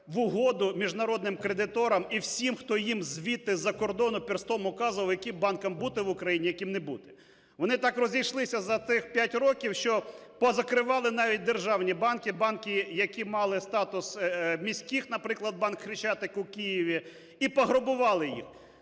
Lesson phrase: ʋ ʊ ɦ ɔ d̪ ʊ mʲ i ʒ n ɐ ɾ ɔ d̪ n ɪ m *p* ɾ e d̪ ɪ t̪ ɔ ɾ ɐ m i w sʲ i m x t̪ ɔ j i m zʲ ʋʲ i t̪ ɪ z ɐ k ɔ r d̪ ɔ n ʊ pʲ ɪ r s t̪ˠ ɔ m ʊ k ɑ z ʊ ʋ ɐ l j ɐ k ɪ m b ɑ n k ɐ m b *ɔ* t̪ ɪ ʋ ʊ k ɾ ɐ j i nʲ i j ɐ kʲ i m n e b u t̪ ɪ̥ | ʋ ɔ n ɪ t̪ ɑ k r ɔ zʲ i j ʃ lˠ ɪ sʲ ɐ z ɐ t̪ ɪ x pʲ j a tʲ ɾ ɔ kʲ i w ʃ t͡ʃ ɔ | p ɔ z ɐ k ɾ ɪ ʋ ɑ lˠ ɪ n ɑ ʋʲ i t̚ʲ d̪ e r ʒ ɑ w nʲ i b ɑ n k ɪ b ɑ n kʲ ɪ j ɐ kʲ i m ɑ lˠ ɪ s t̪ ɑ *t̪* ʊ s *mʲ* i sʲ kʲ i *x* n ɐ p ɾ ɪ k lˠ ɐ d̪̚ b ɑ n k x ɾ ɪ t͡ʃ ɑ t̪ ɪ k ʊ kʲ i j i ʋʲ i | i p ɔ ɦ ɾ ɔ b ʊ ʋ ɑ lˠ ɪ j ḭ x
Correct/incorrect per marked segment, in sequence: incorrect: k, incorrect: u, correct, correct, correct

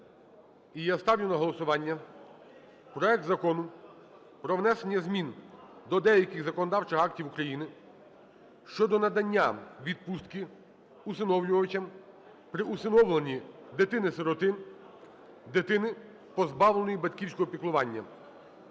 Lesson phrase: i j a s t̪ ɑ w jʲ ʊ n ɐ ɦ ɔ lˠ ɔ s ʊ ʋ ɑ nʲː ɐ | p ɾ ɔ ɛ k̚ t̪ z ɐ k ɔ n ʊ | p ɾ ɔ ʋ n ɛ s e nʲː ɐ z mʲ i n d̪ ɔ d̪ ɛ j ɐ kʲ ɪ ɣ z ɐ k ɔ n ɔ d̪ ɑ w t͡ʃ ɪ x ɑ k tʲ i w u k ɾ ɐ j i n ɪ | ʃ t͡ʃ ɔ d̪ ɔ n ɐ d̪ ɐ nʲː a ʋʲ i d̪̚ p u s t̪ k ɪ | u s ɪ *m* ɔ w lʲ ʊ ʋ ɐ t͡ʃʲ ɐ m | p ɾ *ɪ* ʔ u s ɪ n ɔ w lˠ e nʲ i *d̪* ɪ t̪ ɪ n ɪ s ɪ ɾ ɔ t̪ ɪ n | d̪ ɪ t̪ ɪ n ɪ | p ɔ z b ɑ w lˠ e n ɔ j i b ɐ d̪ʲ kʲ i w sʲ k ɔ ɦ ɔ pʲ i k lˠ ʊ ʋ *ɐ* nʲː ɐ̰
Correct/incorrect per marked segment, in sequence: incorrect: n, correct, correct, incorrect: ɑ

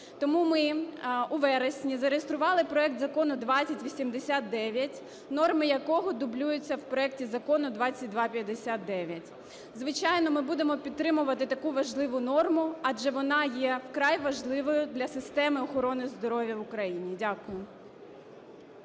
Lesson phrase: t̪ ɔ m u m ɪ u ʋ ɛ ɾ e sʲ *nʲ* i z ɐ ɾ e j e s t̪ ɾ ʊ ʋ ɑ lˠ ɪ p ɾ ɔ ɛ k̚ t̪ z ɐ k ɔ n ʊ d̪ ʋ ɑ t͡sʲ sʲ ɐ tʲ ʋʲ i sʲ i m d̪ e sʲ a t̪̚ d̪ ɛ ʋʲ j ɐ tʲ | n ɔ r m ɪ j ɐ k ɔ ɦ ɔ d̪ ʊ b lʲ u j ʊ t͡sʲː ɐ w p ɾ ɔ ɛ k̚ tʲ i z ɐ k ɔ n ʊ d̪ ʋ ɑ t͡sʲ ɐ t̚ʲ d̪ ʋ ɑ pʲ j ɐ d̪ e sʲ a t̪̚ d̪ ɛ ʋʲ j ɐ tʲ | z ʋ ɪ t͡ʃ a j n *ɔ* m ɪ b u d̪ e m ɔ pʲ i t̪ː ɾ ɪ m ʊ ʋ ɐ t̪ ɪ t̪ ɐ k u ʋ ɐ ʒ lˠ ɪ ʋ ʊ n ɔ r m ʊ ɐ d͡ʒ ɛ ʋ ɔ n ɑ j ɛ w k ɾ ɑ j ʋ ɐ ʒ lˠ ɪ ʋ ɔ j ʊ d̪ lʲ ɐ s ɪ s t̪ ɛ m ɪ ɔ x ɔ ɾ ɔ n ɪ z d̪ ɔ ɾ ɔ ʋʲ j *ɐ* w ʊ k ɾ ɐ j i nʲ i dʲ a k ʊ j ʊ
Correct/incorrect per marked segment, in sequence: correct, correct, correct

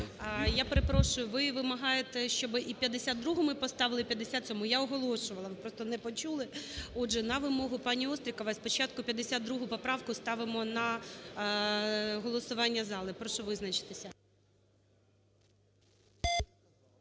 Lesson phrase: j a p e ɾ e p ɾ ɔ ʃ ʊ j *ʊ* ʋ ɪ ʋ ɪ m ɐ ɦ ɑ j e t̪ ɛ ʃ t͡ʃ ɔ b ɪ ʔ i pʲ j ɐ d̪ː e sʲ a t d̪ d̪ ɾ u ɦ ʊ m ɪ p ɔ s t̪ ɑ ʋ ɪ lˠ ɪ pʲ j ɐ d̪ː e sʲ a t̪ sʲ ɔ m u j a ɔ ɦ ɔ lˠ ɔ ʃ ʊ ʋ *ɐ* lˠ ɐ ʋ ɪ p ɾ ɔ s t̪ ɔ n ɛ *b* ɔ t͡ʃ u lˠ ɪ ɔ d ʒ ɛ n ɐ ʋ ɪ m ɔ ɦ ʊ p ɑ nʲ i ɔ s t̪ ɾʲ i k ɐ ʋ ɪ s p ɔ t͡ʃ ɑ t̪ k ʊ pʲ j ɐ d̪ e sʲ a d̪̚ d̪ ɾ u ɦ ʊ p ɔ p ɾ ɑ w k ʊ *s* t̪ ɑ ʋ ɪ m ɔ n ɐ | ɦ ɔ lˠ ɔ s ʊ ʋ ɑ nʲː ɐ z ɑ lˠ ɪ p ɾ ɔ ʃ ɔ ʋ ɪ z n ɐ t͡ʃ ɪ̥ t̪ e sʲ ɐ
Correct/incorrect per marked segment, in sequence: correct, correct, incorrect: p, correct

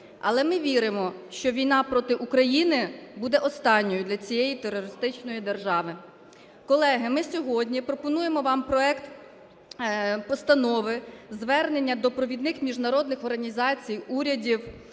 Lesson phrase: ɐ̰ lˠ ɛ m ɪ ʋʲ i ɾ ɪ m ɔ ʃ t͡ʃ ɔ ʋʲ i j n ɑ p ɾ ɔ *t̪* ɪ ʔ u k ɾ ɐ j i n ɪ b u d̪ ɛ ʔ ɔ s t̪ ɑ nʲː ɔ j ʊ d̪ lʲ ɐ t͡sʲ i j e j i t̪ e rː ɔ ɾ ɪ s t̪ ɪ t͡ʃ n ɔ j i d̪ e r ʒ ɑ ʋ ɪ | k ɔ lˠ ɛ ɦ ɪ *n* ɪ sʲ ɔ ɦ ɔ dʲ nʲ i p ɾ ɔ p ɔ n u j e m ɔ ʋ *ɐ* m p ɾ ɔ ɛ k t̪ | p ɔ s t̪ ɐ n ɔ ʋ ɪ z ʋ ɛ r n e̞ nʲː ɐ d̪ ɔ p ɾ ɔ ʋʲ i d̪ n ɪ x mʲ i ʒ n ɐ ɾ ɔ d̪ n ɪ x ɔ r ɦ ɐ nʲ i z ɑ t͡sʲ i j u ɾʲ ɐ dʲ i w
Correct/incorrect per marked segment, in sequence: correct, incorrect: m, incorrect: ɑ

